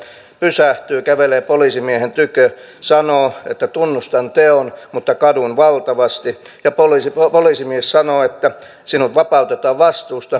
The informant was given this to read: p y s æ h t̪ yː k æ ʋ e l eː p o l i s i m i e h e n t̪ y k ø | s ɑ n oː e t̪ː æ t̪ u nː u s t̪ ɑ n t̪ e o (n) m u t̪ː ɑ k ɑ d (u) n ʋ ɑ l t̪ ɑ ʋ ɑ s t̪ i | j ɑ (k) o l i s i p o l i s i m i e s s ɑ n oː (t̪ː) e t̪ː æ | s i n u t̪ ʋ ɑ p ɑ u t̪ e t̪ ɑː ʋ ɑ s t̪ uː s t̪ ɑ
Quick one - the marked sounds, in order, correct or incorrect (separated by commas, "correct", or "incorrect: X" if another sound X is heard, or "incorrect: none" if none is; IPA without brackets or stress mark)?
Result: correct, correct, incorrect: p, incorrect: none